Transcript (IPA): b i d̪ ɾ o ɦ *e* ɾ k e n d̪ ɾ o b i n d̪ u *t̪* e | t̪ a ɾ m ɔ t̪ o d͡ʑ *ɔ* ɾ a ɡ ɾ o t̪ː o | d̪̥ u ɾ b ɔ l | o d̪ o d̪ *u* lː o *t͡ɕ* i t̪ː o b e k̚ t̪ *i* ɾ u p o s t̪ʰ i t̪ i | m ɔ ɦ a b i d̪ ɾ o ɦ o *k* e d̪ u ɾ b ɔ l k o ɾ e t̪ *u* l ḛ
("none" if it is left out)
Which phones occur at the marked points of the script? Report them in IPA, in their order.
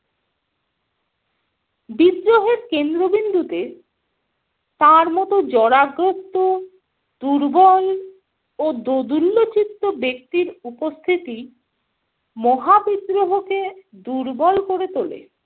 e, t̪, ɔ, u, t͡ɕ, i, k, o

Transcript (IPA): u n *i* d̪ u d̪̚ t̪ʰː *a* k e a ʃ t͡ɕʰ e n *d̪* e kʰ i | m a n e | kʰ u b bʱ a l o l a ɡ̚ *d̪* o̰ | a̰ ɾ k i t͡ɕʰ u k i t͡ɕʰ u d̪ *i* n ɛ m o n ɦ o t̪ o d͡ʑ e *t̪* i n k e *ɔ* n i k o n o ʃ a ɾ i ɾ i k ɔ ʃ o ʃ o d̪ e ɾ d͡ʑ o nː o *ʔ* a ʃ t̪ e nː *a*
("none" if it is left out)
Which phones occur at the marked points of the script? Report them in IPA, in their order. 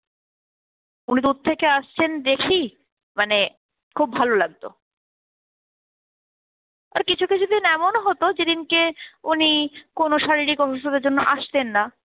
i, e, d̪, t̪, i, d̪, u, ʔ, a

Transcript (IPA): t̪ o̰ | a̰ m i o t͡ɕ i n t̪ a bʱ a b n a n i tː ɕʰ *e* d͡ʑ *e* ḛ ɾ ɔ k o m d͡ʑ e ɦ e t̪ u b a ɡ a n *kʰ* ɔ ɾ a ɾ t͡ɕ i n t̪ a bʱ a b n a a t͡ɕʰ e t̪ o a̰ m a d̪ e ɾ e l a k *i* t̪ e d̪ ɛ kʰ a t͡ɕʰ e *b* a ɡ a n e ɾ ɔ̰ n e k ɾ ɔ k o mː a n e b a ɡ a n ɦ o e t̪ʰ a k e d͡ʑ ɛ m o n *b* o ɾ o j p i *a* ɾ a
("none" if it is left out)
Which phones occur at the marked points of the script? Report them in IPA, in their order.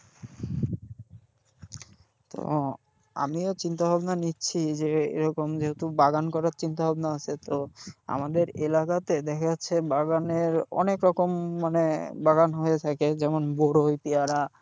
i, e, k, a, b, b, a

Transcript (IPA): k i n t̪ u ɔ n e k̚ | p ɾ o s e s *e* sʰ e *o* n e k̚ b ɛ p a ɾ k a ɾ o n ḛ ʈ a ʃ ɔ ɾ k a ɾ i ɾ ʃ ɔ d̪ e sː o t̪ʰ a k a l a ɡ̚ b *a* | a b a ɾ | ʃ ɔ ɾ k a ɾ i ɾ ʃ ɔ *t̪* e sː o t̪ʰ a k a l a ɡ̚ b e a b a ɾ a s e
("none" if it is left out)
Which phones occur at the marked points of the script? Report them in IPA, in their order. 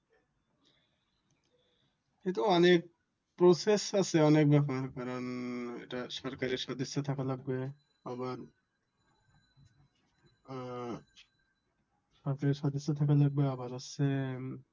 a, ɔ, e, d̪

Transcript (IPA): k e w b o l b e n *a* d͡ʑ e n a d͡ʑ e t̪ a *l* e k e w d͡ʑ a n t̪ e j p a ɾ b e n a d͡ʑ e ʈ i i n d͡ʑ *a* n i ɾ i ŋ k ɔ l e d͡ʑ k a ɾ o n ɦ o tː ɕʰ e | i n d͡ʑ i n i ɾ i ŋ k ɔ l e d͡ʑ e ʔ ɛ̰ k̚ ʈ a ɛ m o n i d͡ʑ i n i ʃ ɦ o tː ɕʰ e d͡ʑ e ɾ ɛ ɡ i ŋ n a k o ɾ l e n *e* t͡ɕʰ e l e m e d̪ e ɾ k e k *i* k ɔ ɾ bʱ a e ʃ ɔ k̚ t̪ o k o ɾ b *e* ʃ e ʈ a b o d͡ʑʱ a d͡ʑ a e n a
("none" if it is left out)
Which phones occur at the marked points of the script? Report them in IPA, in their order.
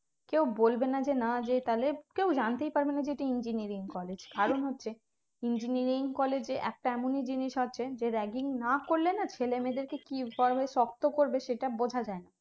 a, l, i, a, i, e

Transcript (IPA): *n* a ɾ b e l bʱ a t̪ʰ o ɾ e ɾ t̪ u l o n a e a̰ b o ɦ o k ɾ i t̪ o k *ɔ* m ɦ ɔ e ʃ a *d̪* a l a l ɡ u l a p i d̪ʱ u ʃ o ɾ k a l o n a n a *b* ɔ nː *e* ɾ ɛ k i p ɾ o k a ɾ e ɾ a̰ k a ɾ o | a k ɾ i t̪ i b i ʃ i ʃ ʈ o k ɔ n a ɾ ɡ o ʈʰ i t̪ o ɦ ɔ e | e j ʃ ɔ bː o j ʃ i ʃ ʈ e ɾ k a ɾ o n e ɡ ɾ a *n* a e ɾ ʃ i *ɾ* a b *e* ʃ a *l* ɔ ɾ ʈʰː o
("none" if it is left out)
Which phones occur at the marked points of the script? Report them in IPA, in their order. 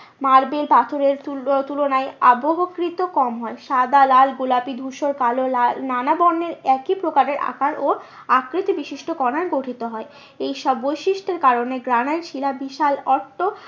m, ɔ, d̪, b, e, n, l, i, l

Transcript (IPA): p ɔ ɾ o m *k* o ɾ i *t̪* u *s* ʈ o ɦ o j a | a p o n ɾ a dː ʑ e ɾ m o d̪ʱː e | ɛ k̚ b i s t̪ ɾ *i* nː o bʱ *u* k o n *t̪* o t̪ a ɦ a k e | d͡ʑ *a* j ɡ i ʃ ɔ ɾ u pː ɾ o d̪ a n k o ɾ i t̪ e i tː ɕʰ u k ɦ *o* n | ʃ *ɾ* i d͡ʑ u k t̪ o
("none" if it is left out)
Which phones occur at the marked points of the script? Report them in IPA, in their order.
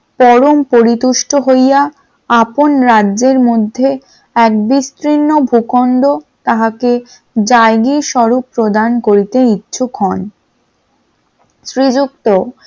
p, t̪, ʃ, i, u, d̪, a, ɔ, ɾ

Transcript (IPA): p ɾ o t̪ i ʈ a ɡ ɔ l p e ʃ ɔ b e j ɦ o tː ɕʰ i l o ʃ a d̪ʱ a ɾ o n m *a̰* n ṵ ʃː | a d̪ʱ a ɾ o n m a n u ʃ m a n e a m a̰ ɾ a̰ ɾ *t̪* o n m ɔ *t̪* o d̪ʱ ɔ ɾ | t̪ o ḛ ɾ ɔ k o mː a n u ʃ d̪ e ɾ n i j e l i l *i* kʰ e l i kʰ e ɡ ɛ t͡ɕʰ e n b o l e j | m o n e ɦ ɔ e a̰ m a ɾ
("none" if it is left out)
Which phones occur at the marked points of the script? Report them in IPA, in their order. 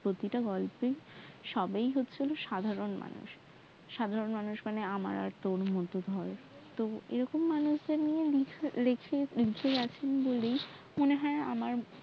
a̰, t̪, t̪, e

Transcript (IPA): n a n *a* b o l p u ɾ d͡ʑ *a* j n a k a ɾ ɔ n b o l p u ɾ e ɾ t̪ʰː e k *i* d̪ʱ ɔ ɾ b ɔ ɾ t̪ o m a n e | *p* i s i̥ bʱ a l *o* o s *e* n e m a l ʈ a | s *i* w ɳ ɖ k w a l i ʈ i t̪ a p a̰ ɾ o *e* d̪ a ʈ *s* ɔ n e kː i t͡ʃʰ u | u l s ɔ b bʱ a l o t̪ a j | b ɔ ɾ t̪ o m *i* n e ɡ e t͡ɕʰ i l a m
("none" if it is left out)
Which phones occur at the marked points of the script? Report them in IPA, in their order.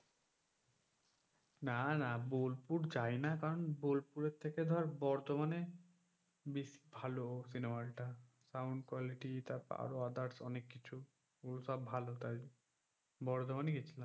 a, a, e, b, o, i, a, a, s, a

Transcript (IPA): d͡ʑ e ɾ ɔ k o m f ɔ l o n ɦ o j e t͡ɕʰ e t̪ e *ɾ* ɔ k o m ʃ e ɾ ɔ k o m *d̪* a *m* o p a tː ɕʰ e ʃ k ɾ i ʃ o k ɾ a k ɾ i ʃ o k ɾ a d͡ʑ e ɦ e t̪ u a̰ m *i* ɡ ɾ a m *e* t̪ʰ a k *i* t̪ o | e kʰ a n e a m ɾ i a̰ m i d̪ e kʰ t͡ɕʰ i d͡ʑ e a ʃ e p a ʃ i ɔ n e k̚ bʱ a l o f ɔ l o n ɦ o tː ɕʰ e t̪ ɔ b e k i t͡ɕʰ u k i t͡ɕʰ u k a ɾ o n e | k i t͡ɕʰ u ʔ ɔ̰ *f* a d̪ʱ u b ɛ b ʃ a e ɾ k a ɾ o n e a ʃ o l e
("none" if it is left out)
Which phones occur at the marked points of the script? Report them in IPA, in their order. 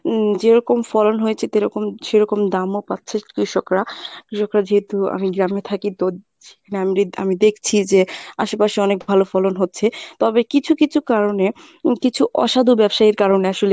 ɾ, d̪, m, i, e, i, ʃ

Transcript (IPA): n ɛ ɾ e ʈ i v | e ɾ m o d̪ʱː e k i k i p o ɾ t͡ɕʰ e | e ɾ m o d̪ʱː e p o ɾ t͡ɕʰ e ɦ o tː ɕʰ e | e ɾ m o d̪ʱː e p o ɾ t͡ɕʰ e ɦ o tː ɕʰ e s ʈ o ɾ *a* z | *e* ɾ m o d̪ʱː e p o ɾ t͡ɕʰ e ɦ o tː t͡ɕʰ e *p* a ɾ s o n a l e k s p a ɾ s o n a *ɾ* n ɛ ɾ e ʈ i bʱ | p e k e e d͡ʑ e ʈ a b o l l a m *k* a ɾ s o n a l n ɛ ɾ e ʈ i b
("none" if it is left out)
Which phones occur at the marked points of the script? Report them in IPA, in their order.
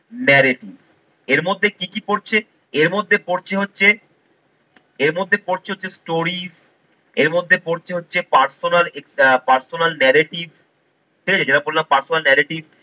i, e, p, l, p

